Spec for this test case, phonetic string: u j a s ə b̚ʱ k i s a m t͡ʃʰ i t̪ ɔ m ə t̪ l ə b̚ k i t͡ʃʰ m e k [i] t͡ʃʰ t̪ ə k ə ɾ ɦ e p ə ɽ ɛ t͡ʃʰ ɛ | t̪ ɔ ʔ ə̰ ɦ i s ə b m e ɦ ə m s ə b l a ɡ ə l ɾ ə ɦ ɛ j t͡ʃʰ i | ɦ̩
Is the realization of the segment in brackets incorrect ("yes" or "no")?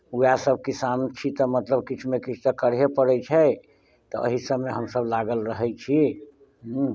no